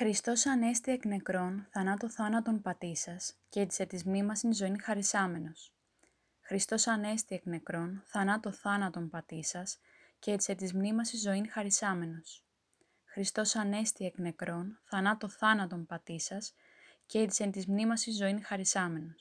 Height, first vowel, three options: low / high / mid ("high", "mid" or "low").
high